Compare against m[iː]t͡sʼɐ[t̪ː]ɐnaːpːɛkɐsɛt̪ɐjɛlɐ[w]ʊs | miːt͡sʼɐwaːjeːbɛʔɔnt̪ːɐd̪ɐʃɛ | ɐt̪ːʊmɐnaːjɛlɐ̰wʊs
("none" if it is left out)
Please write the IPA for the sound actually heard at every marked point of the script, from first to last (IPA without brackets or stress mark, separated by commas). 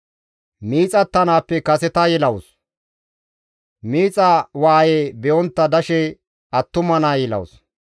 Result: iː, t̪ː, w